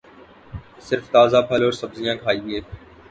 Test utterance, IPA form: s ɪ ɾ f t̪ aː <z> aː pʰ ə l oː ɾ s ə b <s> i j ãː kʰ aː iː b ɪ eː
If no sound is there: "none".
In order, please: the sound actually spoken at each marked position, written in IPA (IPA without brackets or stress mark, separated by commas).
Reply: z, z